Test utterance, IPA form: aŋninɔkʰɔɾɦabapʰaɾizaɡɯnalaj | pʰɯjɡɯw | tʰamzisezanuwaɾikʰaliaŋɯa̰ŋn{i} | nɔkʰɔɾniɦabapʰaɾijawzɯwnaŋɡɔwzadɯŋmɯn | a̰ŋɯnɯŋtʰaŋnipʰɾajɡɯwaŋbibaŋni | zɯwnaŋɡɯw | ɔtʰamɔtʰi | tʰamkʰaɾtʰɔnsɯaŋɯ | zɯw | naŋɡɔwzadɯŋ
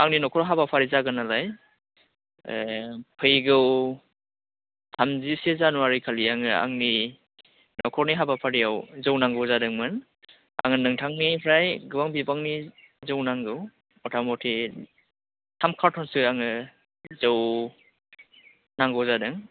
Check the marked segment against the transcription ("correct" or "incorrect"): correct